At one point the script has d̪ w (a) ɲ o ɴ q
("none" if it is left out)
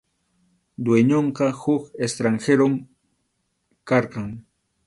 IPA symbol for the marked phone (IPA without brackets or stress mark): e